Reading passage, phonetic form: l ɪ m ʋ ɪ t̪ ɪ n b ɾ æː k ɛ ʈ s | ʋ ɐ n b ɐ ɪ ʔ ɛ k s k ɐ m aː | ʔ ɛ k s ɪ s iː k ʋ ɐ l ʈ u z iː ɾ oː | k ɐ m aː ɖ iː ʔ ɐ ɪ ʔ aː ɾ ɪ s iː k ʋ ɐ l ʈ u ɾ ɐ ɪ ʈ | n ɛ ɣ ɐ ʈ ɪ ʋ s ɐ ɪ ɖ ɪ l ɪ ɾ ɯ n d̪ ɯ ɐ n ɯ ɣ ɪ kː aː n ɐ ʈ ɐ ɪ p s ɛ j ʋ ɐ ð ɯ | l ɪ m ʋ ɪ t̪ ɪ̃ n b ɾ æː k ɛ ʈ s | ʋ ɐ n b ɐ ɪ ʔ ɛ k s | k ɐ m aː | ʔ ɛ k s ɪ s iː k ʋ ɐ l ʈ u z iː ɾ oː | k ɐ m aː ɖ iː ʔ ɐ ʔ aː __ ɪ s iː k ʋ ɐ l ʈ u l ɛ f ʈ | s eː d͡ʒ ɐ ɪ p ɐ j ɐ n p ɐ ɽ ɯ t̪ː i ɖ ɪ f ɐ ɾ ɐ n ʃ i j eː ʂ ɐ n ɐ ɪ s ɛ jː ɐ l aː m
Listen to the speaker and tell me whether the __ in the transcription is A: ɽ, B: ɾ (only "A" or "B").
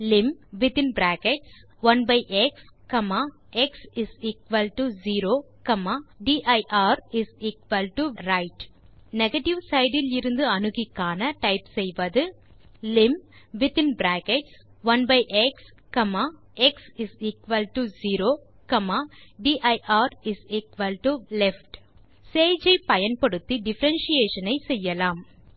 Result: B